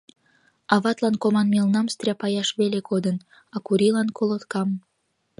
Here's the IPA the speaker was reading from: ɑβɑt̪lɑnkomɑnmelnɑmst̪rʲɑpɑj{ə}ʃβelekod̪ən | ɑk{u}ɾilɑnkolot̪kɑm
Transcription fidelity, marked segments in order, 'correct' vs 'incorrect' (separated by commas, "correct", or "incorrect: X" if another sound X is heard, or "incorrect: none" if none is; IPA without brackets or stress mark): incorrect: ɑ, correct